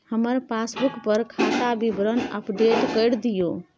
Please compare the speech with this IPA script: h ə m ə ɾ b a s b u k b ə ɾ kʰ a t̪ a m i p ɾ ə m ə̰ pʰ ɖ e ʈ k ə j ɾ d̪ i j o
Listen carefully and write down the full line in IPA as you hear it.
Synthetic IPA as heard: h ə m ə ɾ p a s b u k p ə ɾ kʰ a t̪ a b i b ɾ ə n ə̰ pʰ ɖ e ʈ k ə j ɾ d̪ i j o